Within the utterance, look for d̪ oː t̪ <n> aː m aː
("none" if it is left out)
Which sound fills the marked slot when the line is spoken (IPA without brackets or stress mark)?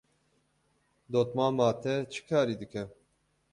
m